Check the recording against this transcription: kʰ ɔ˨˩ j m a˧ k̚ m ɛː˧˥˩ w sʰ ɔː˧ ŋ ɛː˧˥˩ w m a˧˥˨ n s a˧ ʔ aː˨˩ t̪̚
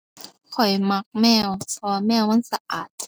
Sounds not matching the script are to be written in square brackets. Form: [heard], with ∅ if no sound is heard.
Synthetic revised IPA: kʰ ɔ˨˩ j m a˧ k̚ m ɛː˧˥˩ w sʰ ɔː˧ [m] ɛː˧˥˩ w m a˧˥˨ n s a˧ ʔ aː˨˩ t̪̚